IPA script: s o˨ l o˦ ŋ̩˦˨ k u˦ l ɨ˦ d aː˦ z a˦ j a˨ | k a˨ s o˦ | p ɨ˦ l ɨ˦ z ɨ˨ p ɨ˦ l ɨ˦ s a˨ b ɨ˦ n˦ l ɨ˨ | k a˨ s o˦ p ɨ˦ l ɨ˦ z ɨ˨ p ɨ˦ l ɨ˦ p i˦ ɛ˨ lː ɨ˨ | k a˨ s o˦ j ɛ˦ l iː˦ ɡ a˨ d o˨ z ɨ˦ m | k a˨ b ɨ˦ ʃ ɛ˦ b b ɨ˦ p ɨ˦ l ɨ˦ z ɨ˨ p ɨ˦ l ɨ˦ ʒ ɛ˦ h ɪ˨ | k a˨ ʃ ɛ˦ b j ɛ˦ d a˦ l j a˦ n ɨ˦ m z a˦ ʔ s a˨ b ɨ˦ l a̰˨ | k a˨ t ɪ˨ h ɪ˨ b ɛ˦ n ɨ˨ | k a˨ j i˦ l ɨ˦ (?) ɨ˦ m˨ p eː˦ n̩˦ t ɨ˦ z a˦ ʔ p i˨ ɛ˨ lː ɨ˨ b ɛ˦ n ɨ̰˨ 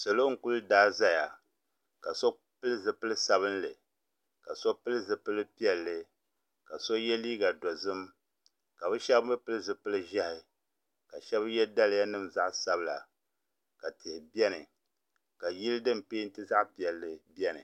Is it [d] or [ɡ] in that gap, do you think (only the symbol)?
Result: d